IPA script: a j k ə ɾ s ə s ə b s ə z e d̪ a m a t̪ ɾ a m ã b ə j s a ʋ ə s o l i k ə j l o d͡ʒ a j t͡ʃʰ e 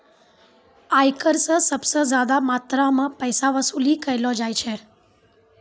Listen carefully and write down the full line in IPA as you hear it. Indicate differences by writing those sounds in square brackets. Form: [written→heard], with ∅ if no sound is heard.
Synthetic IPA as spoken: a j k ə ɾ s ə s ə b s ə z [e→a] d̪ a m a t̪ ɾ a m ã [b→p] ə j s a ʋ ə s [o→u] l i k ə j l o d͡ʒ a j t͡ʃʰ e